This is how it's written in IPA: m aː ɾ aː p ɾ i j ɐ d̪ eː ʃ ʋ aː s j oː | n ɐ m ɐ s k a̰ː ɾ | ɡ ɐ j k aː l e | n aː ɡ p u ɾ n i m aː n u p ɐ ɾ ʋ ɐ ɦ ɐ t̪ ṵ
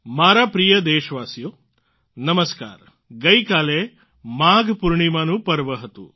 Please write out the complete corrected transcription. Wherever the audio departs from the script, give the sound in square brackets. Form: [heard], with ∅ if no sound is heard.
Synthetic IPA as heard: m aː ɾ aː p ɾ i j ɐ d̪ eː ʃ ʋ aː s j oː | n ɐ m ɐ s k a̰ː ɾ | ɡ ɐ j k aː l e | [m] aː ɡ p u ɾ [ɳ] i m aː n u p ɐ ɾ ʋ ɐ ɦ ɐ t̪ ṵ